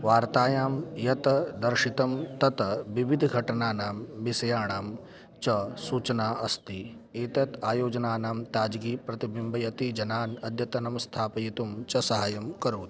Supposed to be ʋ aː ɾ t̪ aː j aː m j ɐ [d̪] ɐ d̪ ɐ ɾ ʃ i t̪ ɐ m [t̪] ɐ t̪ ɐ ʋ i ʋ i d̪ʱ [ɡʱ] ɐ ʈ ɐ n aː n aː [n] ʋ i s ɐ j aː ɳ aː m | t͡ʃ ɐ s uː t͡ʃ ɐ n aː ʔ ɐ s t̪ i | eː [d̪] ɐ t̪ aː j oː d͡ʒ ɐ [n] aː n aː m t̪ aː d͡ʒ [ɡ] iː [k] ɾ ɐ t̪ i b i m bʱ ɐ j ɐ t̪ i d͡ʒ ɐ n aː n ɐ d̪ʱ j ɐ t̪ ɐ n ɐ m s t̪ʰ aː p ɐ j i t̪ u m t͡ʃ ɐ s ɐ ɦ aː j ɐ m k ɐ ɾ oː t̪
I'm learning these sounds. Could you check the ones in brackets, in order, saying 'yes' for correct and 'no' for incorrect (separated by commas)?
no, yes, yes, no, no, yes, yes, no